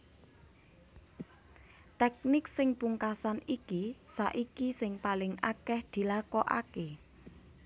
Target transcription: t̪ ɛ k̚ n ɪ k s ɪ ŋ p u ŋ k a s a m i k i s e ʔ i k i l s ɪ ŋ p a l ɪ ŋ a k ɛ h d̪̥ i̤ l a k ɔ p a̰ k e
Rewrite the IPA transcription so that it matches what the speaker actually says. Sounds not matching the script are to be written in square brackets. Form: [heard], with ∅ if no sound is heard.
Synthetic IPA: t̪ ɛ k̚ n ɪ k s ɪ ŋ p u ŋ k a s a [n] i k i s [a] ʔ i k i [∅] s ɪ ŋ p a l ɪ ŋ a k ɛ h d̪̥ i̤ l a k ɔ [ʔ] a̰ k e